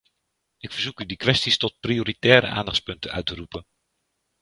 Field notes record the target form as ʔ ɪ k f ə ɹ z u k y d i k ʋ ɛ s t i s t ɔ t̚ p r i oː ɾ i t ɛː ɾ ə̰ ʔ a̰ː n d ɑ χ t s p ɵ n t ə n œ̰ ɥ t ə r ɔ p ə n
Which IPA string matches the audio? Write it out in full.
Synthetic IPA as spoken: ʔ ɪ k f ə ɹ z u k y d i k ʋ ɛ s t i s t ɔ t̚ p r i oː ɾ i t ɛː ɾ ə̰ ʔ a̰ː n d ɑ χ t s p ɵ n t ə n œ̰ ɥ t ə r u p ə n